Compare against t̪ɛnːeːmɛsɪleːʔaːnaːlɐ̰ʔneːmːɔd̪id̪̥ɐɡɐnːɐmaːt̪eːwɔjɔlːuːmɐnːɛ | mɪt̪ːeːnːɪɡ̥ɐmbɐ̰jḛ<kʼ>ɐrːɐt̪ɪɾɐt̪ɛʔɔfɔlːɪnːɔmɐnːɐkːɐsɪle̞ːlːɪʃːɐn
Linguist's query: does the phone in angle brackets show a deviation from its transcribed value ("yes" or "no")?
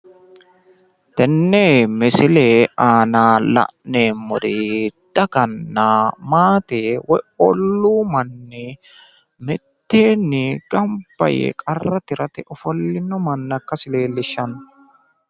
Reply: no